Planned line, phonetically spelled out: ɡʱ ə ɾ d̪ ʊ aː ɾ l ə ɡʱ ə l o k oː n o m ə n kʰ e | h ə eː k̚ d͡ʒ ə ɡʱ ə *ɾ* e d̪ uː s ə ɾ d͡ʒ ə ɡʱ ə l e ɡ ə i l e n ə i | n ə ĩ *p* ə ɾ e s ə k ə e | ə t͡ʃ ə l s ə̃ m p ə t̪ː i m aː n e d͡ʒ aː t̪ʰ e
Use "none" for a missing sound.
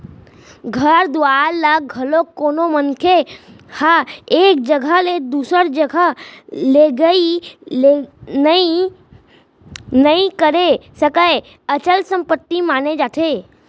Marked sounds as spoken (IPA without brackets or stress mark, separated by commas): l, k